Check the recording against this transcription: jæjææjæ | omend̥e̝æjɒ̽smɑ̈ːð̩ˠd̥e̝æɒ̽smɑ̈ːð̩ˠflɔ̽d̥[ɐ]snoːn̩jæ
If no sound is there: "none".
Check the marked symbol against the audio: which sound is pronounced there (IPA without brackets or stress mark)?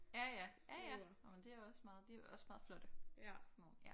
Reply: ə